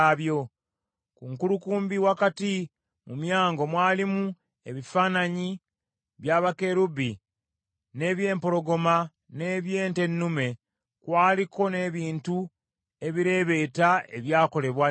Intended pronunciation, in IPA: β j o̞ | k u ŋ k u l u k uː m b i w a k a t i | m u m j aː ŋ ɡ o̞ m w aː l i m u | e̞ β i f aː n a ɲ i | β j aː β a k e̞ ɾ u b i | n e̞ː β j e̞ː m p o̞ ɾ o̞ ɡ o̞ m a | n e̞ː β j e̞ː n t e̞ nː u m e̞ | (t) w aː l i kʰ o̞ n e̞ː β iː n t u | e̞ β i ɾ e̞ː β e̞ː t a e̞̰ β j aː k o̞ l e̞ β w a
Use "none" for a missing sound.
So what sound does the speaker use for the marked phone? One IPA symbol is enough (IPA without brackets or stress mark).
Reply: k